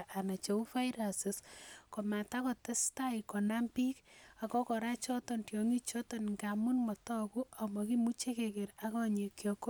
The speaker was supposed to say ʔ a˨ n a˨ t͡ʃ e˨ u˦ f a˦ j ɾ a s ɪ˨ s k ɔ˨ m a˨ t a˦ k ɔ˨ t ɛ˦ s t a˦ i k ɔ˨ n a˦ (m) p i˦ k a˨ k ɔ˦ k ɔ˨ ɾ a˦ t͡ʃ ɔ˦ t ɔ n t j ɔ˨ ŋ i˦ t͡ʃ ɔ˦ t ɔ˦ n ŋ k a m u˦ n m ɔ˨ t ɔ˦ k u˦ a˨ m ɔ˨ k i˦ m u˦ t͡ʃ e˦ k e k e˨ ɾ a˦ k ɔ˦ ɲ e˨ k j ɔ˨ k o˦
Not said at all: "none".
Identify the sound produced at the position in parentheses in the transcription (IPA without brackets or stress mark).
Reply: m